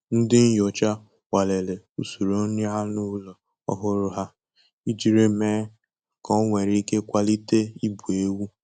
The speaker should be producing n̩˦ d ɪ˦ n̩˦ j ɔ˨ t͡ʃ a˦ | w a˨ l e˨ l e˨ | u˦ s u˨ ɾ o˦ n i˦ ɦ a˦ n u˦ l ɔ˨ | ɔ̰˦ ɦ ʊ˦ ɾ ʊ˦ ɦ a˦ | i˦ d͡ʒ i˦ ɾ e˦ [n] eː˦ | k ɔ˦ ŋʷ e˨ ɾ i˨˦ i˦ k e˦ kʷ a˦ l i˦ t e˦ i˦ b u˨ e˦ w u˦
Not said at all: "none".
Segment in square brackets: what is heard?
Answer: m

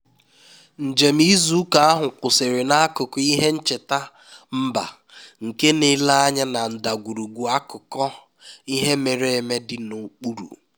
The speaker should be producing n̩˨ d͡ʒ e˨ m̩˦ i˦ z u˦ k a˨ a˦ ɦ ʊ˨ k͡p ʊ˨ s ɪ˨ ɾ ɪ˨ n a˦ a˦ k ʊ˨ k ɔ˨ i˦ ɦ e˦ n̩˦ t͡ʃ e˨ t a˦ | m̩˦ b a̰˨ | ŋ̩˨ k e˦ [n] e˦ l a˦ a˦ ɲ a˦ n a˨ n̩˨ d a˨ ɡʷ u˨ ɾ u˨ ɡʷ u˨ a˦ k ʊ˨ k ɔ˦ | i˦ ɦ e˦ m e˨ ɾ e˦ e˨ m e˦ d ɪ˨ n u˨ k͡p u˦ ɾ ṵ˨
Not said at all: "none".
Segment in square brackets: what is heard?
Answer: n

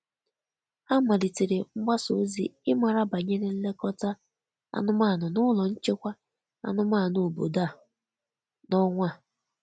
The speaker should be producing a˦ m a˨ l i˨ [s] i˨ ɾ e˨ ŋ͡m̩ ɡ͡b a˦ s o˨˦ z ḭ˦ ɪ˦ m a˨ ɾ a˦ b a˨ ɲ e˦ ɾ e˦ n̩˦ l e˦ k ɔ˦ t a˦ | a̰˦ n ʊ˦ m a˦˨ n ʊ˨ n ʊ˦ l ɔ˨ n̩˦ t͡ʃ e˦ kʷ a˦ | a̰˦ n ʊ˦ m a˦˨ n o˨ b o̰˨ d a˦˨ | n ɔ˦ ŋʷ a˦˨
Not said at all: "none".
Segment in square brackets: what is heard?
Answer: t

